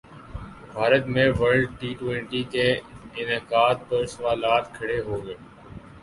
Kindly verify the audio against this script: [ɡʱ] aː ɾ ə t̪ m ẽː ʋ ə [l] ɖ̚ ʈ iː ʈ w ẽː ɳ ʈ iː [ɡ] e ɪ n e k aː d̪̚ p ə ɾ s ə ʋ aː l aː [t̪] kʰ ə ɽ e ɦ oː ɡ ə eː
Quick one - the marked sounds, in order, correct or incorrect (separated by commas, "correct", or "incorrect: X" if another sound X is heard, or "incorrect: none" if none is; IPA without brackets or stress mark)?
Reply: incorrect: bʱ, incorrect: ɾ, incorrect: k, correct